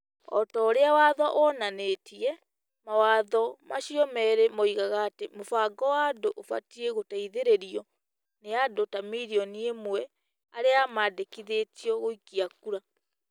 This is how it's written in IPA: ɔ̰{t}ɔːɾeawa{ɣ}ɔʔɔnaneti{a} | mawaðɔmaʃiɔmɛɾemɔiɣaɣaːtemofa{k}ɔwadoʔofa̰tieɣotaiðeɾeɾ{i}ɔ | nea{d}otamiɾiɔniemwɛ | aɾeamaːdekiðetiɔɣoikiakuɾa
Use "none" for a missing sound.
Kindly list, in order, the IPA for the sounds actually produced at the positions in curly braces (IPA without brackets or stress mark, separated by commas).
t, ð, ɛ, ɡ, i, d